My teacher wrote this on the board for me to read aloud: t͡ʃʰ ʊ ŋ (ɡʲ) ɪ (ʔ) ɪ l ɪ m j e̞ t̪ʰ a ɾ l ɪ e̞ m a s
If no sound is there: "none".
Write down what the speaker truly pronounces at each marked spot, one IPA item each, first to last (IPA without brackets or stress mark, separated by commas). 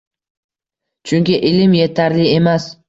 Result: kʲ, ʔ